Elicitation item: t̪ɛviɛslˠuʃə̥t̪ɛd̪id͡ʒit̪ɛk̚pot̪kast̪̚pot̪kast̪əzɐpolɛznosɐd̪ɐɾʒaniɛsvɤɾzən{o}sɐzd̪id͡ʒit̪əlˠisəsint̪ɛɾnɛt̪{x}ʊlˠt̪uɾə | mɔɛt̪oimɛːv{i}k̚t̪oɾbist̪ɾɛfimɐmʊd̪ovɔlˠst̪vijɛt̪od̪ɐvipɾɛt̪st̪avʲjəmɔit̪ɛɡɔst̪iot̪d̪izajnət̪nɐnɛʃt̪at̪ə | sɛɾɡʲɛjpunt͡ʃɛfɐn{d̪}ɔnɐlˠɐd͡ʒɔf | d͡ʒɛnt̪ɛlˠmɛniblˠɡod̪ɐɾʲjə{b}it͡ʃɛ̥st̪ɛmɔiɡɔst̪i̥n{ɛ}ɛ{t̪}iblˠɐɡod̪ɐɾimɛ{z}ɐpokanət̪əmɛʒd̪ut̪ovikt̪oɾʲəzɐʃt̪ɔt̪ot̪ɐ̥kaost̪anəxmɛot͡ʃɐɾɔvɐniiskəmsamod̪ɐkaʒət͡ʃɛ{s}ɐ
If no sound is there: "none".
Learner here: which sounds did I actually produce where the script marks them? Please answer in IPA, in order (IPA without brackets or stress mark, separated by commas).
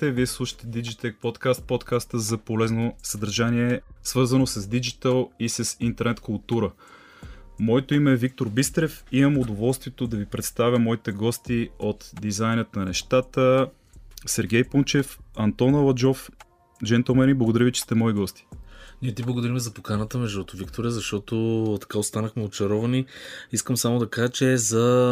o, k, i, t̪, v, i, t̪, z, z